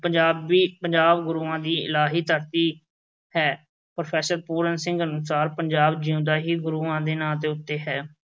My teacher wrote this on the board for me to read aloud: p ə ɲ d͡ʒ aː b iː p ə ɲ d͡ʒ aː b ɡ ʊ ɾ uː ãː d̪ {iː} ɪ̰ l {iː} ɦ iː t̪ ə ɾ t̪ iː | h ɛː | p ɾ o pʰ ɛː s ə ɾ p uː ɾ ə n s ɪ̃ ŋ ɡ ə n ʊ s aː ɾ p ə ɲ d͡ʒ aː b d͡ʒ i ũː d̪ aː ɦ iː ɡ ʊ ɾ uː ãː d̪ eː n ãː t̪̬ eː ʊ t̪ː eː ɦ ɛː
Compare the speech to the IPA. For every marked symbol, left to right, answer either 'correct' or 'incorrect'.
correct, incorrect

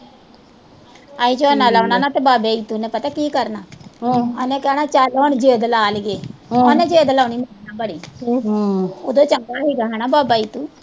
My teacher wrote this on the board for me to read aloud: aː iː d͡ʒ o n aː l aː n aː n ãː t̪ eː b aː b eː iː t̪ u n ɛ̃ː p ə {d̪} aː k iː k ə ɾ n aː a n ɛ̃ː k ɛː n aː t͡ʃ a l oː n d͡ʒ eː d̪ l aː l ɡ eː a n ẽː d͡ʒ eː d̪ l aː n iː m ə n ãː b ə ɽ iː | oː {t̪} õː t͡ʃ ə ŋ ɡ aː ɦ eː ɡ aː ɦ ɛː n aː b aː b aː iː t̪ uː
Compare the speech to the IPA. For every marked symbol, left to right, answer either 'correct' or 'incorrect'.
incorrect, incorrect

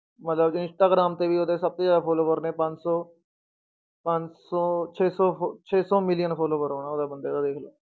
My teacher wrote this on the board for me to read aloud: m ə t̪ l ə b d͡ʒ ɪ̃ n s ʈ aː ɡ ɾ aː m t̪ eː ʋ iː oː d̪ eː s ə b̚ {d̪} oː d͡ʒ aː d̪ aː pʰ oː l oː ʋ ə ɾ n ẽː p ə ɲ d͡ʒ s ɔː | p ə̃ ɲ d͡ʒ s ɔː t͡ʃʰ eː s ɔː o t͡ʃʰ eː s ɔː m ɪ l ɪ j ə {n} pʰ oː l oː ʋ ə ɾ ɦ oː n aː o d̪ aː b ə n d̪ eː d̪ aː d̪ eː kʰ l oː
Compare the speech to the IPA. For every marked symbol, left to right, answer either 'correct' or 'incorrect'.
incorrect, correct

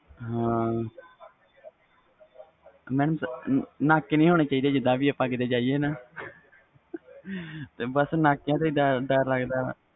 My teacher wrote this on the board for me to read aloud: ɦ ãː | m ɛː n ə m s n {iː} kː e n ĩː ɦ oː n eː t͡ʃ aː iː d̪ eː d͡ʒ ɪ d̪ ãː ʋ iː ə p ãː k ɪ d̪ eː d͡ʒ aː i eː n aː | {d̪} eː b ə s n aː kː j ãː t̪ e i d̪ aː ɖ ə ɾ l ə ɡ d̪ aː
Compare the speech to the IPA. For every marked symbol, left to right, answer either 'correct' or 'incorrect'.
incorrect, incorrect

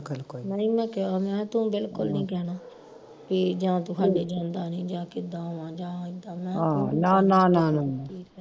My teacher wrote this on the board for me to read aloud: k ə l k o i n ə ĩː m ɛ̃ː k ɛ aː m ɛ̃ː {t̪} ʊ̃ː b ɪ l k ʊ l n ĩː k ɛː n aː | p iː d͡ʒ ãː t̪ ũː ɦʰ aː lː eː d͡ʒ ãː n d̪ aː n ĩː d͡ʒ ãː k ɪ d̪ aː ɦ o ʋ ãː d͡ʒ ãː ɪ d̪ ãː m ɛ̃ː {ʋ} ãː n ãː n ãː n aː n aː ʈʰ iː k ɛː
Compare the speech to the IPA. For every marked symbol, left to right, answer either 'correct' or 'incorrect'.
correct, incorrect

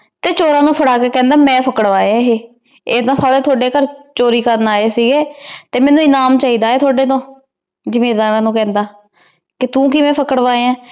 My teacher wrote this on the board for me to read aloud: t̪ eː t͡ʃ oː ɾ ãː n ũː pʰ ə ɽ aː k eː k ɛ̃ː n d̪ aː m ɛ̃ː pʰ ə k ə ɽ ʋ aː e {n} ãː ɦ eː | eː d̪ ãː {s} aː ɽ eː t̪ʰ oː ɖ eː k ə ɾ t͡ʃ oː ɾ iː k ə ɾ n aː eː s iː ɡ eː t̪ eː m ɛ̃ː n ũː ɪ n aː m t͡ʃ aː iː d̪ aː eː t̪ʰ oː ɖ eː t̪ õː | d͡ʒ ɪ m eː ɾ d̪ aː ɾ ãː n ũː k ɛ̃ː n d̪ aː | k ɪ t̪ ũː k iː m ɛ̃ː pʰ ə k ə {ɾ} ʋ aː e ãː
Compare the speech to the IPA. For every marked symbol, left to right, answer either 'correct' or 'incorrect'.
incorrect, correct, incorrect

